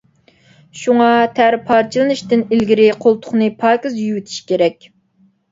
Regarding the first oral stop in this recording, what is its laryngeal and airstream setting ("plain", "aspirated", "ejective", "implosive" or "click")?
aspirated